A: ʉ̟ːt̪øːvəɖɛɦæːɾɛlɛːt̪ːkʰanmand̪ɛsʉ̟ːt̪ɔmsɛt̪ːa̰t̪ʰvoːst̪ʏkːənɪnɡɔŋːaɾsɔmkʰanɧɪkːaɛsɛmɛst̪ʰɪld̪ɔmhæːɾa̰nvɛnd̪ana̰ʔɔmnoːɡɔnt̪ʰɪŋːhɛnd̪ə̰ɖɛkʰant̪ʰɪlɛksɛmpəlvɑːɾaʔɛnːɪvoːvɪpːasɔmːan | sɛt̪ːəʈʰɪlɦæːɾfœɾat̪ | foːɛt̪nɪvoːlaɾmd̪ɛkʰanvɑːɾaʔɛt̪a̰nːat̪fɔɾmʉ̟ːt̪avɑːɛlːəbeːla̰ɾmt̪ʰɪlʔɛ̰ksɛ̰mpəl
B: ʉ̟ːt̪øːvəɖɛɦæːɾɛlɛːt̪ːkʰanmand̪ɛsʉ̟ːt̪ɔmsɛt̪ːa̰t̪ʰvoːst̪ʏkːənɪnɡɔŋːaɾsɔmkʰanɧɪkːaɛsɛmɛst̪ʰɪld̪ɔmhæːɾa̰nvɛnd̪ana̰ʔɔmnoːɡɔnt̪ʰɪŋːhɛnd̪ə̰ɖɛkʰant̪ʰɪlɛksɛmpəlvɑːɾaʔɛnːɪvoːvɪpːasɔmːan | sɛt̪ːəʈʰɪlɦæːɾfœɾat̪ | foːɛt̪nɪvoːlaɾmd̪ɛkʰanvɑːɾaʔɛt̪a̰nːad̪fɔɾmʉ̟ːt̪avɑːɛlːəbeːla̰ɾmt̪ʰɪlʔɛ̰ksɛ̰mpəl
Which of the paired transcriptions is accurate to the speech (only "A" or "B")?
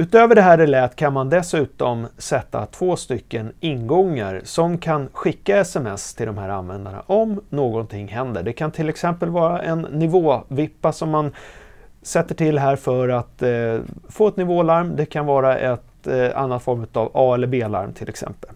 A